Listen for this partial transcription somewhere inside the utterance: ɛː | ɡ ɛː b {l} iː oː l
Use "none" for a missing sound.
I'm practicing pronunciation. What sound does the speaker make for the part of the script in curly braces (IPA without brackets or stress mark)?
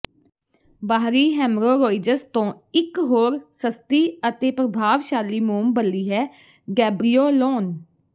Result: ɾ